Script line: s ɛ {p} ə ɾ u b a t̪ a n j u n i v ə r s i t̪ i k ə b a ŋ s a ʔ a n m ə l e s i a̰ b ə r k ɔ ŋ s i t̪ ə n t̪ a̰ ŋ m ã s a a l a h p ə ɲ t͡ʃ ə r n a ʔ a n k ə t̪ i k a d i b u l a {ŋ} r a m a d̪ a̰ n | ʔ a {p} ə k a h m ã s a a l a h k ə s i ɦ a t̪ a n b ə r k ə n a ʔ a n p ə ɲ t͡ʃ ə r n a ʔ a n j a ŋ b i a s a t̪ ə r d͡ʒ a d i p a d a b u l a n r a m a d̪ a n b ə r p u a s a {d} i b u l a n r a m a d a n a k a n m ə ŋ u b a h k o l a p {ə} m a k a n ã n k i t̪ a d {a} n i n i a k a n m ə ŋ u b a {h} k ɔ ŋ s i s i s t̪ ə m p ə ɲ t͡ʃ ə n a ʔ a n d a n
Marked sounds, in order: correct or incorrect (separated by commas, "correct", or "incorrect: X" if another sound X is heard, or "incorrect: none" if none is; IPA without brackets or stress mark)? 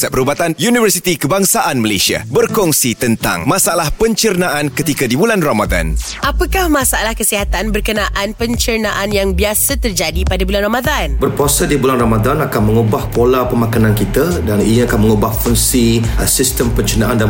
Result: correct, incorrect: n, correct, correct, correct, correct, correct